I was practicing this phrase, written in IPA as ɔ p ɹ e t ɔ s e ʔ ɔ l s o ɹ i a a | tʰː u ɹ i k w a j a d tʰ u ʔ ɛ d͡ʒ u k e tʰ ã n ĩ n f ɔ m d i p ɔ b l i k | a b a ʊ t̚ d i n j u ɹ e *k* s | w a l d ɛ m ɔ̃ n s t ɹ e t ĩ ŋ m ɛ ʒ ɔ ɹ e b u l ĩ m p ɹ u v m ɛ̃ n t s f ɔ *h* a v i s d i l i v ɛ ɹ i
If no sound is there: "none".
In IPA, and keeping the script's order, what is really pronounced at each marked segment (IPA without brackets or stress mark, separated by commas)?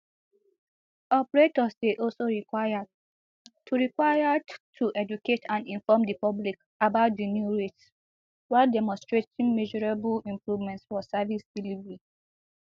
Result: t, s